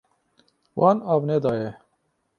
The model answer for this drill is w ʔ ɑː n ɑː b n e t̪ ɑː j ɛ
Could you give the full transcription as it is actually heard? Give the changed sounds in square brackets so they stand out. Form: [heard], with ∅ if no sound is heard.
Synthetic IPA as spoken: w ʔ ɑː n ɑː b n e [d̪] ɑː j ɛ